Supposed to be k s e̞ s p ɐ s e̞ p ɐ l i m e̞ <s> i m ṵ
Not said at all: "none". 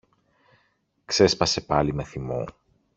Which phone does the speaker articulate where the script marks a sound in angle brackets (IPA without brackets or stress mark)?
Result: θ